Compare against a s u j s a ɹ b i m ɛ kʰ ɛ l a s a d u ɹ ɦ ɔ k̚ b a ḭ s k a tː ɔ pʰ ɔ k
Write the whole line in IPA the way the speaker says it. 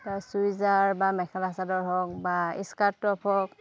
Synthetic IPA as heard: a s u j z a ɹ b a m ɛ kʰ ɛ l a s a d ɔ ɹ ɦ ɔ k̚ b a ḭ s k a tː ɔ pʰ ɔ k